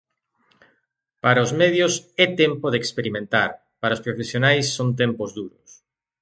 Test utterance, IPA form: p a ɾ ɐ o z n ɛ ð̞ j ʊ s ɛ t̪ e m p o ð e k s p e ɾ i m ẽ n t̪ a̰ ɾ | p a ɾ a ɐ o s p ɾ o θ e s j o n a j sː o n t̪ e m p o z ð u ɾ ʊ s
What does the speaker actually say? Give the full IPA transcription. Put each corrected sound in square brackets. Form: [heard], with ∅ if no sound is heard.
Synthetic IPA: p a ɾ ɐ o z [m] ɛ ð̞ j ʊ s ɛ t̪ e m p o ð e k s p e ɾ i m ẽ n t̪ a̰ ɾ | p a ɾ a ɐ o s p ɾ o [f] e s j o n a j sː o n t̪ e m p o z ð u ɾ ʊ s